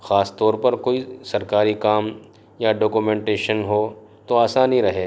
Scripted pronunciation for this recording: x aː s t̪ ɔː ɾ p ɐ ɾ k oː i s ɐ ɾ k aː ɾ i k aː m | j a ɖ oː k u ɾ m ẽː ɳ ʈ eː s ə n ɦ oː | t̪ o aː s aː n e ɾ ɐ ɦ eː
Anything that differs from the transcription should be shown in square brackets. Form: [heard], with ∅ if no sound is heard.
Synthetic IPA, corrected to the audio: x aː s t̪ ɔː ɾ p ɐ ɾ k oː i s ɐ ɾ k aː ɾ i k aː m | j a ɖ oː k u [∅] m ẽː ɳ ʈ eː [ʃ] ə n ɦ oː | t̪ o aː s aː n [i] ɾ ɐ ɦ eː

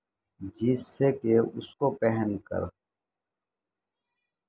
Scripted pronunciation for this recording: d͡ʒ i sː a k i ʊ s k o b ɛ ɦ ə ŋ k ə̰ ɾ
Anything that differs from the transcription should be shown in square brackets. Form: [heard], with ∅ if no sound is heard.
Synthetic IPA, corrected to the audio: d͡ʒ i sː [e] k [e] ʊ s k o [p] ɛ ɦ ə [n] k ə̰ ɾ

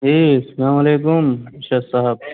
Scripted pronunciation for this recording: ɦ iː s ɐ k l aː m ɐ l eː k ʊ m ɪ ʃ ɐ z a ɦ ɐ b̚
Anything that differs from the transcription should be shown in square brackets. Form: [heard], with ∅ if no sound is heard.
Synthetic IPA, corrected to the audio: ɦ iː s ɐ [∅] l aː m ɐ l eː k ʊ m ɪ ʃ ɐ [s] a ɦ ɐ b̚

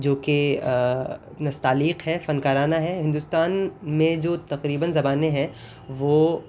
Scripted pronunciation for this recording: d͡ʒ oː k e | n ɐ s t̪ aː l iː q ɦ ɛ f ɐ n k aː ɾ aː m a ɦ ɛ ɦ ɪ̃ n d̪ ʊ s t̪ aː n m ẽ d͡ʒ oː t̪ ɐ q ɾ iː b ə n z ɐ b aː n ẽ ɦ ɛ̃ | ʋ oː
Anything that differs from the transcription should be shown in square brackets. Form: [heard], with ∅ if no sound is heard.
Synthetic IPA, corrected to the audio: d͡ʒ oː k e | n ɐ s t̪ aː l iː q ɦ ɛ f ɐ n k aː ɾ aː [n] a ɦ ɛ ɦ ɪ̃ n d̪ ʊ s t̪ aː n m ẽ d͡ʒ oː t̪ ɐ q ɾ iː b ə n z ɐ b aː n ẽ ɦ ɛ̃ | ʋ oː

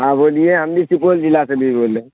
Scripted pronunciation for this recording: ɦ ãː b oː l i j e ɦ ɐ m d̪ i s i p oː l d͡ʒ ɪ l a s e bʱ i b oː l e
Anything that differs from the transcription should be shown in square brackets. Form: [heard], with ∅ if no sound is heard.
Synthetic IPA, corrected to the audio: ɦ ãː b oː l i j e ɦ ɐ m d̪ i s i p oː l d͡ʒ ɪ l a s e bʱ i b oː l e

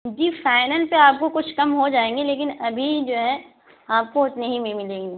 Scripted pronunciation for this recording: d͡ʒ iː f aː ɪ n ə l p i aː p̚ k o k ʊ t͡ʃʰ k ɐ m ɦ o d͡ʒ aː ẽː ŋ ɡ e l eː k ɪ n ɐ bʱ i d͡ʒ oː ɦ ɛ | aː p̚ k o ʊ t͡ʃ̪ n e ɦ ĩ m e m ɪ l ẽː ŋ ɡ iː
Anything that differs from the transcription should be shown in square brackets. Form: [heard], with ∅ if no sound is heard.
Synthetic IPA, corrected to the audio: d͡ʒ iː f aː ɪ n ə l p [e] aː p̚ k o k ʊ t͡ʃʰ k ɐ m ɦ o d͡ʒ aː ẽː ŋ ɡ e l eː k ɪ n ɐ bʱ i d͡ʒ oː ɦ ɛ | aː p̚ k o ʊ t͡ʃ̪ n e ɦ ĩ m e m ɪ l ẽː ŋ ɡ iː

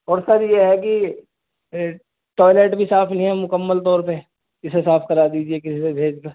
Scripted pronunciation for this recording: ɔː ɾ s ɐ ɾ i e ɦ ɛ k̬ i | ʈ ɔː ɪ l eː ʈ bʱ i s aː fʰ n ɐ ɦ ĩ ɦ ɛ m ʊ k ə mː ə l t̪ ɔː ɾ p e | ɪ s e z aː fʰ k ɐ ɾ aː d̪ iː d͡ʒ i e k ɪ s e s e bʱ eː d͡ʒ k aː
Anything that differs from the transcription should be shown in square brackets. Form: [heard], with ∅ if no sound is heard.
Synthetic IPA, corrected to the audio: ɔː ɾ s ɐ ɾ [j] e ɦ ɛ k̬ i | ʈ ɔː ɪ l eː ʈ bʱ i s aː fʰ n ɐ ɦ ĩ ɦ ɛ m ʊ k ə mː ə l t̪ ɔː ɾ p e | ɪ s e [s] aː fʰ k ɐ ɾ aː d̪ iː d͡ʒ i e k ɪ s [i] s e bʱ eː d͡ʒ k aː

